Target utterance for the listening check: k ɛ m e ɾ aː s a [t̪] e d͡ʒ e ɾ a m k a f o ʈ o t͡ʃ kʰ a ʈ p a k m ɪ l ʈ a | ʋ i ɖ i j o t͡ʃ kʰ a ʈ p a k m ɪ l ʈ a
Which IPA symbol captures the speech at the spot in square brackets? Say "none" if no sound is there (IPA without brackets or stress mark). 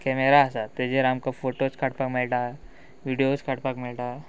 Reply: t̪